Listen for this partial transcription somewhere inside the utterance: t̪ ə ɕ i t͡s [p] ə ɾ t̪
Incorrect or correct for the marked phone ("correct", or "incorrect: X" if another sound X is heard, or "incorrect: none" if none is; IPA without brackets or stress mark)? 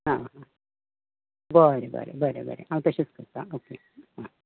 incorrect: k